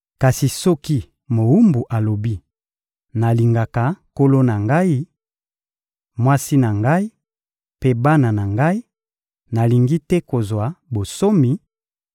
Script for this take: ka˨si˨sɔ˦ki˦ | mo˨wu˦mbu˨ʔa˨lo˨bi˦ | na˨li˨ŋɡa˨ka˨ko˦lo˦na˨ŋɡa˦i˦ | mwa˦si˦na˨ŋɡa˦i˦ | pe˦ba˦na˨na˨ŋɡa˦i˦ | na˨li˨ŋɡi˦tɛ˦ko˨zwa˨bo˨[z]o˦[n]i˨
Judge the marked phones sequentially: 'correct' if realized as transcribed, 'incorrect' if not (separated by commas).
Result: incorrect, incorrect